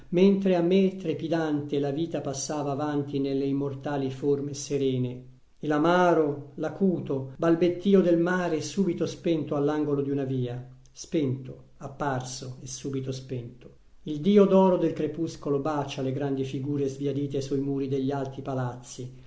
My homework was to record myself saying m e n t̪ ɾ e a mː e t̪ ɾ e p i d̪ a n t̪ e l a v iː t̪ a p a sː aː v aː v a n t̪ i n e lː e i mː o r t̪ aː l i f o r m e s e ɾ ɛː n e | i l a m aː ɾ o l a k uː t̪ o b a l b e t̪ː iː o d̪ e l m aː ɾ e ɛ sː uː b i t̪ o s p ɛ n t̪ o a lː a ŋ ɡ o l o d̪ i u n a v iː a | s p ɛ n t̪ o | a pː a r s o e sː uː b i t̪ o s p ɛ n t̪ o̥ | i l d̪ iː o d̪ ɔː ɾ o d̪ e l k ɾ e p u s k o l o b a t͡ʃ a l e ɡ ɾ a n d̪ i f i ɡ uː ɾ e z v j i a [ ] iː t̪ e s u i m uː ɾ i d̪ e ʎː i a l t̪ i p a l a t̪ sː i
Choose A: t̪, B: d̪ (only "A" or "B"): B